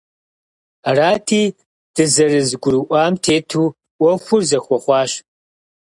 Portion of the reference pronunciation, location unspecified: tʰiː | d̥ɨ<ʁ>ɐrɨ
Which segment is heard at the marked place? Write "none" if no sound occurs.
z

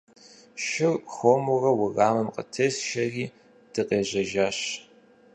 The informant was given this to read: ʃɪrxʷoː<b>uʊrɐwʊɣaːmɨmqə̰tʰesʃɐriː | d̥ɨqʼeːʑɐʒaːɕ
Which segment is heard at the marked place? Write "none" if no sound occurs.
m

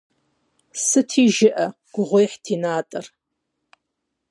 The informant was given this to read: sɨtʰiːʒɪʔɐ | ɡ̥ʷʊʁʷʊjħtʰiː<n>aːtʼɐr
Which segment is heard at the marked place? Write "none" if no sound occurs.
n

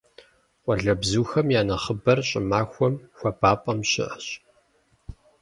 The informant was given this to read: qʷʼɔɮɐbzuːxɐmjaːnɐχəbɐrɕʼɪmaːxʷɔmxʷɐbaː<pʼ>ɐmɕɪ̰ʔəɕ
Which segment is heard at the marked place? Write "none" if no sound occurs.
pʼ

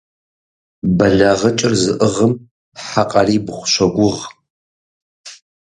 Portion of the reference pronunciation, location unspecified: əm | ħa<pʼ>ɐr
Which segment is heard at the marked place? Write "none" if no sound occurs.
qʼ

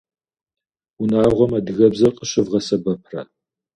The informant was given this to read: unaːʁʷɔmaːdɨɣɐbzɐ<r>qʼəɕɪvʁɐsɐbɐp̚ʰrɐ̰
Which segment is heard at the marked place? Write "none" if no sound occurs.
r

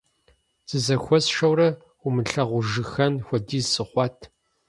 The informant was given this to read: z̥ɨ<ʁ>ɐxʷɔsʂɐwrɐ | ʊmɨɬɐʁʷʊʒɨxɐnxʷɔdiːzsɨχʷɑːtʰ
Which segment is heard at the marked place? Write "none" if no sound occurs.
z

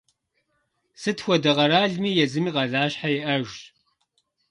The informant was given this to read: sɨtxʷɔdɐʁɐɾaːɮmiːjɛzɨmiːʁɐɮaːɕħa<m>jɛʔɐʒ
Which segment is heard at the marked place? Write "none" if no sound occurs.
none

